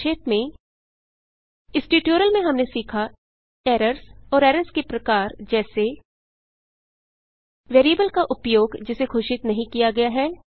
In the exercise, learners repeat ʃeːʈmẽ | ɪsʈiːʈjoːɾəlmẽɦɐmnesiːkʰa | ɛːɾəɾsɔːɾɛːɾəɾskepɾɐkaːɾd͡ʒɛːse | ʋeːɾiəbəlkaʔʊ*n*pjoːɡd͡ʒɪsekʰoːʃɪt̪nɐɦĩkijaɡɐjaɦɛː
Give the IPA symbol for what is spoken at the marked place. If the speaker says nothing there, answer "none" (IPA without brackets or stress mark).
none